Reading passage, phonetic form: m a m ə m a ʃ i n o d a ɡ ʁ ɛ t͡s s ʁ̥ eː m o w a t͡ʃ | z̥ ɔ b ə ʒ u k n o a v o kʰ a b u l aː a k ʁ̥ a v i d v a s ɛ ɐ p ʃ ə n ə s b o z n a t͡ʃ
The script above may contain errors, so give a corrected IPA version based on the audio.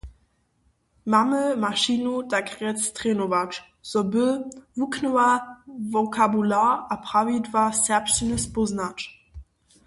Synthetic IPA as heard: m a m ə m a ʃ i n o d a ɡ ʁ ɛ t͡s t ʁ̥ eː n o v a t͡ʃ | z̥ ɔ b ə v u k n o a v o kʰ a b u l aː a p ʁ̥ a v i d v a s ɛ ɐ p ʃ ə n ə s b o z n a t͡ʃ